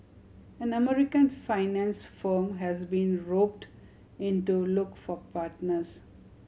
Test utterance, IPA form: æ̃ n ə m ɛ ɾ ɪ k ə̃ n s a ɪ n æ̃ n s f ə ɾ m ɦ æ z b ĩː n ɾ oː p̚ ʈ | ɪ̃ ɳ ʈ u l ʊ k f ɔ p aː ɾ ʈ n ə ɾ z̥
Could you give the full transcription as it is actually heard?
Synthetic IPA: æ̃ n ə m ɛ ɾ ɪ k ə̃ n f a ɪ n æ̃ n s f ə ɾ m ɦ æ z b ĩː n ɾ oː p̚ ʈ | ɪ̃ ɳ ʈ u l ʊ k f ɔ p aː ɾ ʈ n ə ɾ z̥